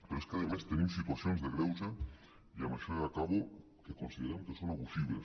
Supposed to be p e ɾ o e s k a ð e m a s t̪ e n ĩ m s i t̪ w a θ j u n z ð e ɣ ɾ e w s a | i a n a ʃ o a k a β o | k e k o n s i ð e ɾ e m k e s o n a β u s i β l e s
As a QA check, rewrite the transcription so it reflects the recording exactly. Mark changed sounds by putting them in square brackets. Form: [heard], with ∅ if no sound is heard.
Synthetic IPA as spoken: p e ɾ o e s k a ð e m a s t̪ e n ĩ m s i t̪ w a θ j [o] n z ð e ɣ ɾ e w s a | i a [m] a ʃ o a k a β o | k e k o n s i ð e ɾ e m k e s o n a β u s i β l e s